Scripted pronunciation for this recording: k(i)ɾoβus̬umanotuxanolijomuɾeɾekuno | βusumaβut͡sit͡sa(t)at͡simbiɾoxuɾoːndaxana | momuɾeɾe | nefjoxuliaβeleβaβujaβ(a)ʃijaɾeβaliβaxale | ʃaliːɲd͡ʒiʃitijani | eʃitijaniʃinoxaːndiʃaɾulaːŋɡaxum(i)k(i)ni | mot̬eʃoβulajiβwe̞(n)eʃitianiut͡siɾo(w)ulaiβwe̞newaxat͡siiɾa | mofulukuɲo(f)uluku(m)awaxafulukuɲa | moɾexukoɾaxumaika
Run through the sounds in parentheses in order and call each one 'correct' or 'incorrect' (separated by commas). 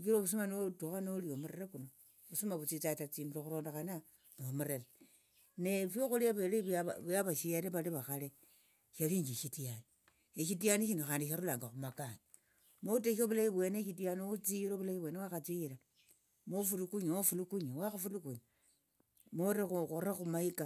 correct, correct, correct, incorrect, incorrect, correct, incorrect, correct, incorrect